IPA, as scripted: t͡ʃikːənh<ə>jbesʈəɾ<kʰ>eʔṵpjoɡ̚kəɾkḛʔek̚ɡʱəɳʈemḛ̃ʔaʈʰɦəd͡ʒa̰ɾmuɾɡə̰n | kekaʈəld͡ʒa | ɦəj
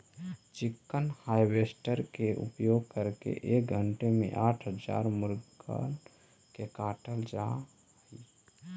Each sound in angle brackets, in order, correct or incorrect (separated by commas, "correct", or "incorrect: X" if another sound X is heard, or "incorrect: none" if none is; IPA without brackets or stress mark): incorrect: a, incorrect: k